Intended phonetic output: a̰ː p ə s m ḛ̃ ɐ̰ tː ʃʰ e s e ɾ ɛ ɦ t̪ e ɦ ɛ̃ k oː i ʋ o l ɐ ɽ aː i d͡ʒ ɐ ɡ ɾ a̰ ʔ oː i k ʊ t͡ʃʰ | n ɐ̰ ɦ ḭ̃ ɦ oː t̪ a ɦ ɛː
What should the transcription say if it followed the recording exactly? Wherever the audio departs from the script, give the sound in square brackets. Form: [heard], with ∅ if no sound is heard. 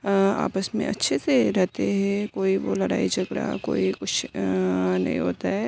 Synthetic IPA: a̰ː p ə s m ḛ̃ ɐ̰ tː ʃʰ e s e ɾ ɛ ɦ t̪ e ɦ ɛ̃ k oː i ʋ o l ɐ ɽ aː i d͡ʒ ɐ ɡ ɾ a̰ [k] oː i k ʊ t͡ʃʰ | n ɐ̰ ɦ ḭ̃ ɦ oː t̪ a ɦ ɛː

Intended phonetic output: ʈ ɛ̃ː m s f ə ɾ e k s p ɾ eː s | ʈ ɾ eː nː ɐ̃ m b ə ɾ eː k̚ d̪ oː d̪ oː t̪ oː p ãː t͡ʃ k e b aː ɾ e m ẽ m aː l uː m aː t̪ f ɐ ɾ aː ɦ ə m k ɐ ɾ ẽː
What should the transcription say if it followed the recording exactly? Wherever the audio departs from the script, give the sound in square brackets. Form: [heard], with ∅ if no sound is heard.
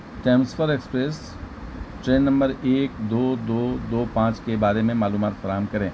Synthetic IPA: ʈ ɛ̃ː m s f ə ɾ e k s p ɾ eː s | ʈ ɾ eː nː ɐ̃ m b ə ɾ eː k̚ d̪ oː d̪ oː [d̪] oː p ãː t͡ʃ k e b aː ɾ e m ẽ m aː l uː m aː t̪ f ɐ ɾ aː ɦ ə m k ɐ ɾ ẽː

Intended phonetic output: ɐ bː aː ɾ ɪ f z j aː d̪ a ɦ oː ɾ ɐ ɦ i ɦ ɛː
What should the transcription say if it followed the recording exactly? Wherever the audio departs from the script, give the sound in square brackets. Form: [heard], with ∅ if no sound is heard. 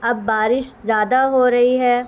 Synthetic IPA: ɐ bː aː ɾ ɪ [ʃ] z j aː d̪ a ɦ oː ɾ ɐ ɦ i ɦ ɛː

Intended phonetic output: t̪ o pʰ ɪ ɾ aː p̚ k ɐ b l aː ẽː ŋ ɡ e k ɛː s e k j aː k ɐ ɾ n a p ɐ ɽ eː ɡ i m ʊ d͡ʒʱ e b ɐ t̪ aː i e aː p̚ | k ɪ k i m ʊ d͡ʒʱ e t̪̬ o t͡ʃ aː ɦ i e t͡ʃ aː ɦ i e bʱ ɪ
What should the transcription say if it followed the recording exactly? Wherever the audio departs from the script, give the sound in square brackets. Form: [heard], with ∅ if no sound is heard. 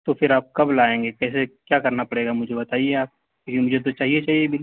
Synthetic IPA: t̪ o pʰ ɪ ɾ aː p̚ k ɐ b l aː ẽː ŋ ɡ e k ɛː s e k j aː k ɐ ɾ n a p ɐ ɽ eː ɡ [a] m ʊ d͡ʒʱ e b ɐ t̪ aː i e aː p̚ | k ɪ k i m ʊ d͡ʒʱ e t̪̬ o t͡ʃ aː ɦ i e t͡ʃ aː ɦ i e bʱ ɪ

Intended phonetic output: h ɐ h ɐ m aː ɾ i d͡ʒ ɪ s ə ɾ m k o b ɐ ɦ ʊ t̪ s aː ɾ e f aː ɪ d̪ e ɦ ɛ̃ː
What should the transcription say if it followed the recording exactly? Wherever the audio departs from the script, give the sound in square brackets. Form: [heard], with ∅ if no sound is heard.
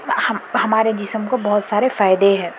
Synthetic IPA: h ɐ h ɐ m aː ɾ [e] d͡ʒ ɪ s ə [∅] m k o b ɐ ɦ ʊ t̪ s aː ɾ e f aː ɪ d̪ e ɦ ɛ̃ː

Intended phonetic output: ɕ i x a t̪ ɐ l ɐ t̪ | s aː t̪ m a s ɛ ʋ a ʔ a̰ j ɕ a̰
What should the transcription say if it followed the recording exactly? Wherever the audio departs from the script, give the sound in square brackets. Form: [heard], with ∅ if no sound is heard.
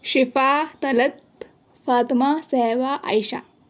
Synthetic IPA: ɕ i [f] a t̪ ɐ l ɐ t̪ | [f] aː t̪ m a s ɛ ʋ a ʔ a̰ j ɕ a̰

